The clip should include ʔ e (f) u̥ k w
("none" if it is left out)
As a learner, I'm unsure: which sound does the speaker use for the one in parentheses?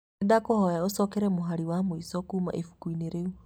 f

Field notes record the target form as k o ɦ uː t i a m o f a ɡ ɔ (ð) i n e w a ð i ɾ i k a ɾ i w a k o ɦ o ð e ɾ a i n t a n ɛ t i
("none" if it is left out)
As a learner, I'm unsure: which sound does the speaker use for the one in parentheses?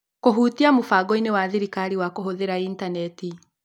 none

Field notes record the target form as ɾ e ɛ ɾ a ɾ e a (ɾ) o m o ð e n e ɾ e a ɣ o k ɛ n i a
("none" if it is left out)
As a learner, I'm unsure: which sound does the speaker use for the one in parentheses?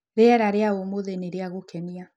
none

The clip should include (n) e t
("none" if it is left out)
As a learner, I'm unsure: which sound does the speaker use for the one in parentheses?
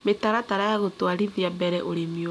m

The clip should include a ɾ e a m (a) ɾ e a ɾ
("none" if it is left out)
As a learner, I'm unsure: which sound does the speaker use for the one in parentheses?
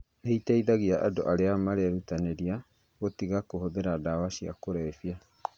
a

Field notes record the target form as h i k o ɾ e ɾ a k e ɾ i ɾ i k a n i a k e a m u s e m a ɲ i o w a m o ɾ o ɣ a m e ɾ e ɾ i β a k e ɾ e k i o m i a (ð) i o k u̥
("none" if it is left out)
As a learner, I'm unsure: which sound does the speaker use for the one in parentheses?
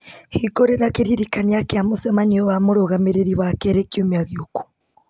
ɣ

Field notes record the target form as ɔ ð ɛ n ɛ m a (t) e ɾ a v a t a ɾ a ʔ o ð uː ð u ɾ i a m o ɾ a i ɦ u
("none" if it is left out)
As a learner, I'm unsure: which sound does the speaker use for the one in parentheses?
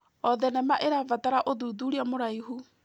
ʔ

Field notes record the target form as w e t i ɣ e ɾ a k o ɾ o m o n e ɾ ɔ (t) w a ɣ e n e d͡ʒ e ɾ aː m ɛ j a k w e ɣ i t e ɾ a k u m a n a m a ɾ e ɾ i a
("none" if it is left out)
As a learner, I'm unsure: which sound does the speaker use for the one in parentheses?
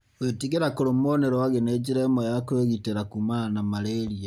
none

